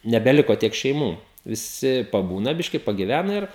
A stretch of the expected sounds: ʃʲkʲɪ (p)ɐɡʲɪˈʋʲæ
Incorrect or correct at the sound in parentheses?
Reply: correct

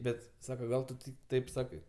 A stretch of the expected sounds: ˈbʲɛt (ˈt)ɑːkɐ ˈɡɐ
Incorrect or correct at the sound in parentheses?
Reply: incorrect: s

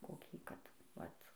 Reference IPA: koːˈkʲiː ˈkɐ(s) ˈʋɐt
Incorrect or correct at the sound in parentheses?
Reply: incorrect: t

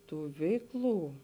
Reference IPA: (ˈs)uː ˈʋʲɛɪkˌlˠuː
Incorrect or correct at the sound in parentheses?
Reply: incorrect: t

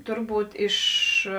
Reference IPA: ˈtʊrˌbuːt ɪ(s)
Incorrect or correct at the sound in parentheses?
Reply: incorrect: ʃ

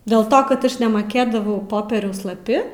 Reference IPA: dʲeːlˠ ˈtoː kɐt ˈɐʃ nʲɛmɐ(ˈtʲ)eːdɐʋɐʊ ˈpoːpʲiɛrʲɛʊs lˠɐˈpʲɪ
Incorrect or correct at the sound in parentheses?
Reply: incorrect: kʲ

